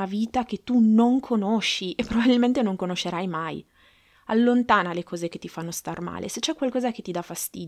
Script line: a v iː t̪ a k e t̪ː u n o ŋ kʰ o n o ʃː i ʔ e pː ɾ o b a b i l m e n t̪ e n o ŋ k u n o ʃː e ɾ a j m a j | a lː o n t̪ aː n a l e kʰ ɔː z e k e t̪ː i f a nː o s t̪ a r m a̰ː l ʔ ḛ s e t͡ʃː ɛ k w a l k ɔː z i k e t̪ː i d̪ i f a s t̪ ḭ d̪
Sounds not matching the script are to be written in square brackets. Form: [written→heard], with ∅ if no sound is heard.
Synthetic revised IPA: a v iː t̪ a k e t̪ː u n o ŋ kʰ o n o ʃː i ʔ e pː ɾ o b a b i l m e n t̪ e n o ŋ k [u→o] n o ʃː e ɾ a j m a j | a lː o n t̪ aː n a l e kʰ ɔː z e k e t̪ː i f a nː o s t̪ a r m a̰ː l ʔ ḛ s e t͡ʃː ɛ k w a l k ɔː z [i→a] k e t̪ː i d̪ [i→a] f a s t̪ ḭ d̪